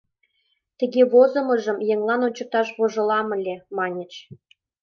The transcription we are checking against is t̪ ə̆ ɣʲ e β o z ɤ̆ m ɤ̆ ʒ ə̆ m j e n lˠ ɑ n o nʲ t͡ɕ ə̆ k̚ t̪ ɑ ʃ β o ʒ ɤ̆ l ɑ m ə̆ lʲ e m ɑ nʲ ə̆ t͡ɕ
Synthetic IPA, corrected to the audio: t̪ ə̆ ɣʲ e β o z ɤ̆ m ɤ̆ ʒ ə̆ m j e ŋ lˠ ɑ n o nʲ t͡ɕ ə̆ k̚ t̪ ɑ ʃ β o ʒ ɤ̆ l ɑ m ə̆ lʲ e m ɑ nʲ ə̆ t͡ɕ